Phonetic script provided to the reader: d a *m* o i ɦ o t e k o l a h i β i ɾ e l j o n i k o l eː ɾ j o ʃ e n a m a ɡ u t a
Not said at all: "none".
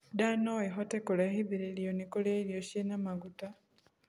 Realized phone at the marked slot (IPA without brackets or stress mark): n